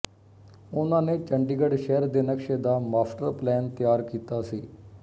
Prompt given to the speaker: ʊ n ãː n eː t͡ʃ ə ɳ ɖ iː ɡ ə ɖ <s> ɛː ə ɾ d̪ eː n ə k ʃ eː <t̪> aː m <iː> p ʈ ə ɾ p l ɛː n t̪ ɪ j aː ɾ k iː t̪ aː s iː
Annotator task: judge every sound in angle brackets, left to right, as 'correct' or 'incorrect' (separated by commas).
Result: incorrect, incorrect, incorrect